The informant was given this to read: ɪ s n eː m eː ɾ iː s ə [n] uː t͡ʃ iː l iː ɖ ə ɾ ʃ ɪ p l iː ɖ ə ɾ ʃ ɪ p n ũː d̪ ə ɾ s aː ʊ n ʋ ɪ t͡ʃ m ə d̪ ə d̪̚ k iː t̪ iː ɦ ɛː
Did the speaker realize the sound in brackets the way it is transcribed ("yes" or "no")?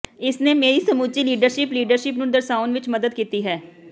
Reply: no